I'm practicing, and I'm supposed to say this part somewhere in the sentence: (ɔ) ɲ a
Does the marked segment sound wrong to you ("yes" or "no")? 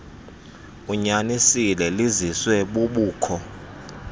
yes